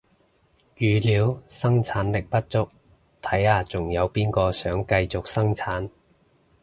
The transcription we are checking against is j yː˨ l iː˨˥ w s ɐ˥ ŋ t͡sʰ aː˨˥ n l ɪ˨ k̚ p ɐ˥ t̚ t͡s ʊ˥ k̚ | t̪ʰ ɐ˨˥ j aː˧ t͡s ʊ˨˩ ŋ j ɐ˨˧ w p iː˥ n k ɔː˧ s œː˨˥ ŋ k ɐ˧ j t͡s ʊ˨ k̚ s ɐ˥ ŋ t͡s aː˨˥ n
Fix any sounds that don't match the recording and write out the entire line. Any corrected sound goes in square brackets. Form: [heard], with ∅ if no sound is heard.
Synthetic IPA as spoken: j yː˨ l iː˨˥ w s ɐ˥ ŋ t͡sʰ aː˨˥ n l ɪ˨ k̚ p ɐ˥ t̚ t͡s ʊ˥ k̚ | t̪ʰ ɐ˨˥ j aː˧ t͡s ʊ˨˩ ŋ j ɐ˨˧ w p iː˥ n k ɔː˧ s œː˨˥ ŋ k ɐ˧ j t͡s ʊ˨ k̚ s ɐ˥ ŋ [t͡sʰ] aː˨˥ n